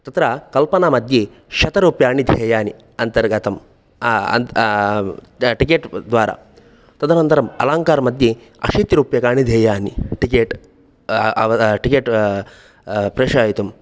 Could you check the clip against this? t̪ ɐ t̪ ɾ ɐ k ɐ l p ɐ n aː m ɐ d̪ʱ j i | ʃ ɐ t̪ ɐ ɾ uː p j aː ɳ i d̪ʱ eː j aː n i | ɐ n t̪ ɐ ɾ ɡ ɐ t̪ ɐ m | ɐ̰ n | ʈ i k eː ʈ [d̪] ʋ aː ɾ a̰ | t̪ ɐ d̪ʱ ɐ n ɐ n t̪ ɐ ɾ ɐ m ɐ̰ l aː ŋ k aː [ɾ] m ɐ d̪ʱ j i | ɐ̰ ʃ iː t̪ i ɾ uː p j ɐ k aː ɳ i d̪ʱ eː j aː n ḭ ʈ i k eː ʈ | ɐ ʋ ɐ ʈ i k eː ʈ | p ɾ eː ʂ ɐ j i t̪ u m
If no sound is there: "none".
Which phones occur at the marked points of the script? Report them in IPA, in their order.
d̪, ɾ

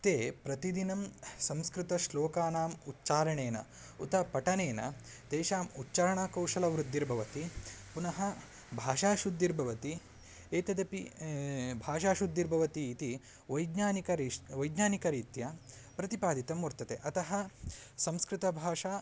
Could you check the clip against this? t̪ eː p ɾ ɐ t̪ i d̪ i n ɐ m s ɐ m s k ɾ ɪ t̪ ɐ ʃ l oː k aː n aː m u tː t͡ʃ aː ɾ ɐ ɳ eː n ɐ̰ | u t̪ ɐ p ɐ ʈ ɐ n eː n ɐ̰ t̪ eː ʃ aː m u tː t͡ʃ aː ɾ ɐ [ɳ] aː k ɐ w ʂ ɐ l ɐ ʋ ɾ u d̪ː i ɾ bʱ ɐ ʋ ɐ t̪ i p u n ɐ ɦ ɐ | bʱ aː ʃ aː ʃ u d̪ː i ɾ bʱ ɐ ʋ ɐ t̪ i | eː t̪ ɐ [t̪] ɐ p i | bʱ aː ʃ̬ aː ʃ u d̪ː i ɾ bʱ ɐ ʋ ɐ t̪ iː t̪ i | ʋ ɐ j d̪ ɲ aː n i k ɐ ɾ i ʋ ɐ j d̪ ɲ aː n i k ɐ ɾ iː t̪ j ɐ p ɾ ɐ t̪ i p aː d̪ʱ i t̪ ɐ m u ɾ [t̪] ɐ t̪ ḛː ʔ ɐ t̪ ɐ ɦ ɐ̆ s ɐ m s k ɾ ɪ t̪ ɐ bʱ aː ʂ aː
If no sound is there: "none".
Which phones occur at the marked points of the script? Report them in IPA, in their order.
ɳ, d̪, t̪

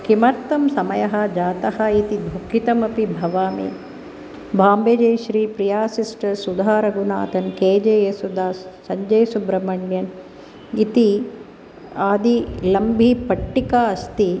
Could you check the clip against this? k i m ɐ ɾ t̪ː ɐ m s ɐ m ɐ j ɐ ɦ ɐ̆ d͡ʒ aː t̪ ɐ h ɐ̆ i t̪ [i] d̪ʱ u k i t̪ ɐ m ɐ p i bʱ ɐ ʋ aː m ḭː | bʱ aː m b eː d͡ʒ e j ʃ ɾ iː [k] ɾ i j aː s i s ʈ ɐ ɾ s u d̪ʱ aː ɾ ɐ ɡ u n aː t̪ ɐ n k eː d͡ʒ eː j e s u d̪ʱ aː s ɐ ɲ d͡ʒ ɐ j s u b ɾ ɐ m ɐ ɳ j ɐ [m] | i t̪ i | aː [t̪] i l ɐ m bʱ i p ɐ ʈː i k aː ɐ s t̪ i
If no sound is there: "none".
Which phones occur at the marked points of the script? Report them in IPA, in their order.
i, p, n, d̪

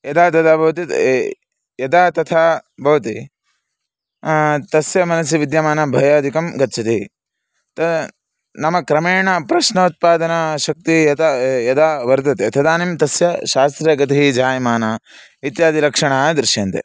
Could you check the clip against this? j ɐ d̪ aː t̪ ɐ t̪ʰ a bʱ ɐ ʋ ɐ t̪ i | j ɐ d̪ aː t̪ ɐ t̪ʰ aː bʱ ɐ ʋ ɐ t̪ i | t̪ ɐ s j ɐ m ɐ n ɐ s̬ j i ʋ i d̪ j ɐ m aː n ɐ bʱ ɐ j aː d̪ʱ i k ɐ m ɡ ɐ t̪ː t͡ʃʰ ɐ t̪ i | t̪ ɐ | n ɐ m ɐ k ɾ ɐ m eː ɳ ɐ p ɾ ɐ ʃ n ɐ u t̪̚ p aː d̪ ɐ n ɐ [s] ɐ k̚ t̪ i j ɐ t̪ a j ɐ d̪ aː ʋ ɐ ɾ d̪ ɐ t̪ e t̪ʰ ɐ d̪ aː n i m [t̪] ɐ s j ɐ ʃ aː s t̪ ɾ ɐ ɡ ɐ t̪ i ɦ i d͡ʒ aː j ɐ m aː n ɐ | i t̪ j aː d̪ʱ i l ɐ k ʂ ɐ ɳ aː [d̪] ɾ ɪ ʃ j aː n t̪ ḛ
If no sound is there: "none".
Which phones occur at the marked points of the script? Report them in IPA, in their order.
ʃ, t̪, d̪

